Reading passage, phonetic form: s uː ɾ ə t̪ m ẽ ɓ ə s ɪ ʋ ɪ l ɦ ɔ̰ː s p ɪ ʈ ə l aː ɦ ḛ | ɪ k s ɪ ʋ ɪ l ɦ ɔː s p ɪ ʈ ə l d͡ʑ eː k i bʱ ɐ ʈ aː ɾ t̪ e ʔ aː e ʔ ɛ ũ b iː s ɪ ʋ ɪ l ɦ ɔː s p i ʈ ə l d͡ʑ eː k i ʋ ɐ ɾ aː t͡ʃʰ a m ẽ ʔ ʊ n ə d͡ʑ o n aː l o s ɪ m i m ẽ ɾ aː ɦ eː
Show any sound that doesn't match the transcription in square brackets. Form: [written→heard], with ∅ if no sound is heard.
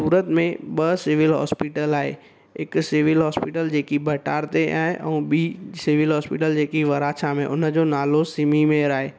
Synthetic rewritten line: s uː ɾ ə t̪ m ẽ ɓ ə s ɪ ʋ ɪ l ɦ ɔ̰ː s p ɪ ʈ ə l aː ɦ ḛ | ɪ k s ɪ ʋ ɪ l ɦ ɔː s p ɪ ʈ ə l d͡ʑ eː k i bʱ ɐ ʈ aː ɾ t̪ e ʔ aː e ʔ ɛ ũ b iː s ɪ ʋ ɪ l ɦ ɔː s p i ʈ ə l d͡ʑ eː k i ʋ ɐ ɾ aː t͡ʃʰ a m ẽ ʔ ʊ n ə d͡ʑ o n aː l o s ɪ m i m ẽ ɾ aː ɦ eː